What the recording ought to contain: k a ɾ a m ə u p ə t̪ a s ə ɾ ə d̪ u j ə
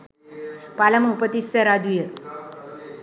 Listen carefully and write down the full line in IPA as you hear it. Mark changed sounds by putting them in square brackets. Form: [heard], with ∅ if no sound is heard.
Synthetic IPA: [p] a [l] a m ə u p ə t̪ [i] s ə ɾ [a] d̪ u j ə